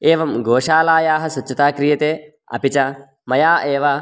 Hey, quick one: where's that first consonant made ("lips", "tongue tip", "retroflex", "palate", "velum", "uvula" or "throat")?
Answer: lips